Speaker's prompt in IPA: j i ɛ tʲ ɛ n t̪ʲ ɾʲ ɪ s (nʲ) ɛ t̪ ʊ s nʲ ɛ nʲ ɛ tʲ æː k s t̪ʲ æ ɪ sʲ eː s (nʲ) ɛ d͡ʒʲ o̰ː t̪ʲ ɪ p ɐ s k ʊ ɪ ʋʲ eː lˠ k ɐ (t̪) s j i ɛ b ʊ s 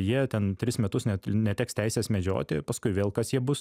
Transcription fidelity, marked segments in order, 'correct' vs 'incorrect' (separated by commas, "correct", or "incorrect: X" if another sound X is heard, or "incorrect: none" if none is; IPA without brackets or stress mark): incorrect: mʲ, incorrect: mʲ, incorrect: none